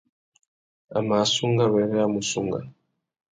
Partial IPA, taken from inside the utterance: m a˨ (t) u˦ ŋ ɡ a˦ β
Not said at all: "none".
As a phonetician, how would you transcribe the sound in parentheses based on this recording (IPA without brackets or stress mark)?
s